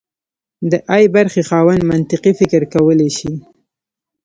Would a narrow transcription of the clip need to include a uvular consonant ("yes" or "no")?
yes